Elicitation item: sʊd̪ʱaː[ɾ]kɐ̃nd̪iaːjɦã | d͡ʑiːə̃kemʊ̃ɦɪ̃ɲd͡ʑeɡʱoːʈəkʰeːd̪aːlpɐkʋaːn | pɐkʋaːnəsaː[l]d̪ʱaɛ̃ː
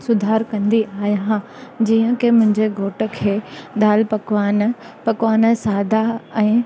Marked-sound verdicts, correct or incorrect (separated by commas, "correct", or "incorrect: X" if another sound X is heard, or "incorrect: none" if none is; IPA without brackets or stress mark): correct, incorrect: none